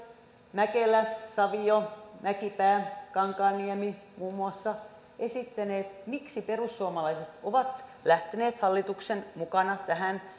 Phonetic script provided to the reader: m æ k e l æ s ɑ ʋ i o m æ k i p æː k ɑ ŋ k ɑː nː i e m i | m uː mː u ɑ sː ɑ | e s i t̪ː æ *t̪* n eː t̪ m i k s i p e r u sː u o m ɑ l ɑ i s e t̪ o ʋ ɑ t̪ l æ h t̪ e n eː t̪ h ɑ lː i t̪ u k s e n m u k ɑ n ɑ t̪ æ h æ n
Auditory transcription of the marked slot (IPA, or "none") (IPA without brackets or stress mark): none